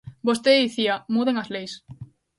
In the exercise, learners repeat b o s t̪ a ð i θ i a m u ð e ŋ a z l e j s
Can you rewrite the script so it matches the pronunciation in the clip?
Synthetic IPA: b o s t̪ e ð i θ i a m u ð e ŋ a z l e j s